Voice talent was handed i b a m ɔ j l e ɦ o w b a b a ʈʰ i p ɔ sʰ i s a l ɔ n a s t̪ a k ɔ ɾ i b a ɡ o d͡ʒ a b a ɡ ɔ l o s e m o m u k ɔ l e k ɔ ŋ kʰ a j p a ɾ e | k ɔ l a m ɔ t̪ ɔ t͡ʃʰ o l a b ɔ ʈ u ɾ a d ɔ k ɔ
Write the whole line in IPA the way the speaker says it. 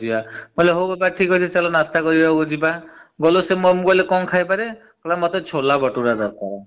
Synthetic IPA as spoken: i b a m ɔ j l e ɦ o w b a b a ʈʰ i k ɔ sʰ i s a l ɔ n a s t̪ a k ɔ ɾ i b a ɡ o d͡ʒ i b a ɡ ɔ l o s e m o m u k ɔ l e k ɔ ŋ kʰ a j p a ɾ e | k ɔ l a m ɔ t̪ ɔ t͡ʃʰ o l a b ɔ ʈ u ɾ a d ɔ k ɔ